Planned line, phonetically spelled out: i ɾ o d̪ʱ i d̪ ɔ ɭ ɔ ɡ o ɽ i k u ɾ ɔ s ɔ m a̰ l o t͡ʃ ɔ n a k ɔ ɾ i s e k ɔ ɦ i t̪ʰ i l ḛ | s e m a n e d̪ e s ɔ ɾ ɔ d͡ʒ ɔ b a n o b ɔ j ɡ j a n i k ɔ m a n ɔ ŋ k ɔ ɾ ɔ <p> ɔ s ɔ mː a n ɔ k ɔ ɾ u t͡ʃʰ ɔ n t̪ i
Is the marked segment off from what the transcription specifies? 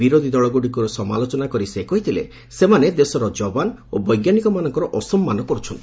yes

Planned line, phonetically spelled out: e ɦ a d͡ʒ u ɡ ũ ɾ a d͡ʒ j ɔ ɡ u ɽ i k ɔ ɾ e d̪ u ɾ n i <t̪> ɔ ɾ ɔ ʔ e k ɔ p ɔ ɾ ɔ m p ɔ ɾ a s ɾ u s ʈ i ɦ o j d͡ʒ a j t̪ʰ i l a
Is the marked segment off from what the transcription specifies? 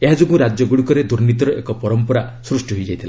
no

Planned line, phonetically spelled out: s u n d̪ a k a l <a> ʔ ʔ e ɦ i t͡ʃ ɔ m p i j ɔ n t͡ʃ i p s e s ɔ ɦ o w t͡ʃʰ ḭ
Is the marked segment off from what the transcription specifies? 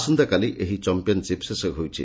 yes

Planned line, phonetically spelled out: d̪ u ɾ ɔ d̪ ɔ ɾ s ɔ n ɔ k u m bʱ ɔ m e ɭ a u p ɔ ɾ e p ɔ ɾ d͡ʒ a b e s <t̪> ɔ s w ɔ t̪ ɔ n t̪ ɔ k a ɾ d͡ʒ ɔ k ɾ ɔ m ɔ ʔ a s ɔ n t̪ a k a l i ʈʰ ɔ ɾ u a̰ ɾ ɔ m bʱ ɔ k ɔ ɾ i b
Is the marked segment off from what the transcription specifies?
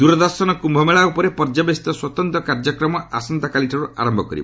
no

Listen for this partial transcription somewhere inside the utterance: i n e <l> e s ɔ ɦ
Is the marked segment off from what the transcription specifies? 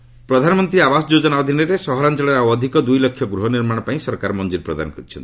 yes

